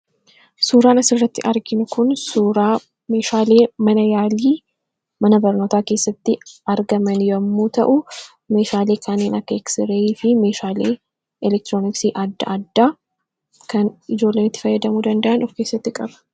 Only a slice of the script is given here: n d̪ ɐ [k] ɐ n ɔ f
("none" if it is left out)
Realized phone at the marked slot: ʔ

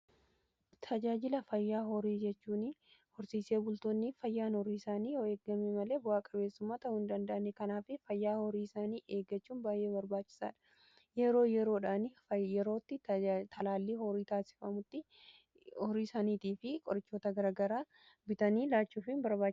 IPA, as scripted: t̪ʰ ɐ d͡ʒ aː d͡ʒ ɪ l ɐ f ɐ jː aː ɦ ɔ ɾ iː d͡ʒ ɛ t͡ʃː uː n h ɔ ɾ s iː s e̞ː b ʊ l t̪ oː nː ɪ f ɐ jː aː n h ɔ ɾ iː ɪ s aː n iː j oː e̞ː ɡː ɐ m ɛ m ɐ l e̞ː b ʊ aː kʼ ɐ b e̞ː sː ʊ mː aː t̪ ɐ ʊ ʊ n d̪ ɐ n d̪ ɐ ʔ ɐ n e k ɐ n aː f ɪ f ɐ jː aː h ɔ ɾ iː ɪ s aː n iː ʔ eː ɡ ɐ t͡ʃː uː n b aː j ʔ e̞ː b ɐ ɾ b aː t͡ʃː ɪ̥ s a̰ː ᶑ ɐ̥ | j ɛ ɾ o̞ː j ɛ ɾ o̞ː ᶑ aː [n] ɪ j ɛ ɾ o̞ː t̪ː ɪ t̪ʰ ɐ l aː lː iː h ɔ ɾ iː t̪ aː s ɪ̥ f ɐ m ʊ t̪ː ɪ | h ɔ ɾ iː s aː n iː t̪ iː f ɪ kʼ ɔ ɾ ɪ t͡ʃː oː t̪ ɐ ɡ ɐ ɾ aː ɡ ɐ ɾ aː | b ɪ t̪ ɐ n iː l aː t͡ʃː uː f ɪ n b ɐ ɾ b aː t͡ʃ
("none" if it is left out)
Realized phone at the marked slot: n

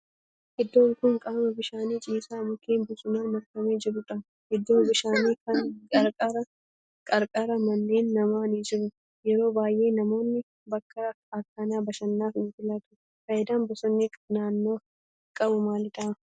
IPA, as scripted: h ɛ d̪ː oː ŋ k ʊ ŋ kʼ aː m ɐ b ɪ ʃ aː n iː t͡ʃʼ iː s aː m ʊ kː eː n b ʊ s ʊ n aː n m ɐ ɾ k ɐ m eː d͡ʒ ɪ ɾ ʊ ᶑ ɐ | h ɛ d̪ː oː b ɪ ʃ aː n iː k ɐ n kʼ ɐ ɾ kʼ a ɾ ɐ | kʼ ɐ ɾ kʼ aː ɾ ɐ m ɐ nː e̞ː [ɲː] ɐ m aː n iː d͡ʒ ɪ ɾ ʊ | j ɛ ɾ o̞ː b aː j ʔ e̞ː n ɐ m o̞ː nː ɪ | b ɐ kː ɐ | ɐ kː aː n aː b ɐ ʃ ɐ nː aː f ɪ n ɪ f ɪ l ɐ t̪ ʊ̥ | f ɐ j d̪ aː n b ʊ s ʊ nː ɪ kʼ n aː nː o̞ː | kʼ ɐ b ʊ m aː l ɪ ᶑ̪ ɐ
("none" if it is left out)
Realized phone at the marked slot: nː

